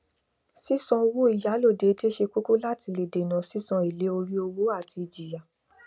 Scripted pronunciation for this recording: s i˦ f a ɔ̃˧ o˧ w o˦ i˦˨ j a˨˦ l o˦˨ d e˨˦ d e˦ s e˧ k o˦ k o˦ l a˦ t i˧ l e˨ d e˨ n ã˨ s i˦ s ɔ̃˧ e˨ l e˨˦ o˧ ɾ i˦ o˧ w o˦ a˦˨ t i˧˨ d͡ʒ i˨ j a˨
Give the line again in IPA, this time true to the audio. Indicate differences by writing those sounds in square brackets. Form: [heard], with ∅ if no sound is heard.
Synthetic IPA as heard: s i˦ [s] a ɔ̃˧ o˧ w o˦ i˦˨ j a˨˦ l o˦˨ d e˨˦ d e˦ [ʃ] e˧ k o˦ k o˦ l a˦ t i˧ l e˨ d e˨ n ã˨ s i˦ s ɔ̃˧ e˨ l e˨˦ o˧ ɾ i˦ o˧ w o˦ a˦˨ t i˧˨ d͡ʒ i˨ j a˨